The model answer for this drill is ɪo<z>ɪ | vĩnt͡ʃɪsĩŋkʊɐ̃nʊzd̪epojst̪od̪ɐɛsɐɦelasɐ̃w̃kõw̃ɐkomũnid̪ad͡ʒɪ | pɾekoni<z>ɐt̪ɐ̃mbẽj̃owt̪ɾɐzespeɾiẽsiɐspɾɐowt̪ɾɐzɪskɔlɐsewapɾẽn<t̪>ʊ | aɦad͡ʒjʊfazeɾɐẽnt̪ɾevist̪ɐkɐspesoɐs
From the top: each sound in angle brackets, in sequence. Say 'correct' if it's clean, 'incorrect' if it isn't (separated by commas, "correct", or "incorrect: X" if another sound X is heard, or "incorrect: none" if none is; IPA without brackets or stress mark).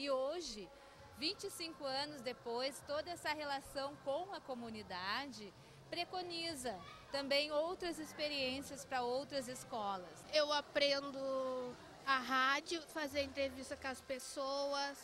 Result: incorrect: ʒ, correct, incorrect: d̪